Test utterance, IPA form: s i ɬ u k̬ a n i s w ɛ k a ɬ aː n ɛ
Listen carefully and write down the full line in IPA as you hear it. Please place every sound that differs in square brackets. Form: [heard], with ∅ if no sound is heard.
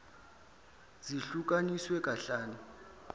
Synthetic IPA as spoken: [z] i ɬ u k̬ a n i s w ɛ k a ɬ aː n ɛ